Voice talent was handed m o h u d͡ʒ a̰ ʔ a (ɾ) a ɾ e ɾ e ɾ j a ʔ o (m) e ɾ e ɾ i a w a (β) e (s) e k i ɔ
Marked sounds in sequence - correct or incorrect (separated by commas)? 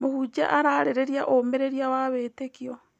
correct, correct, correct, incorrect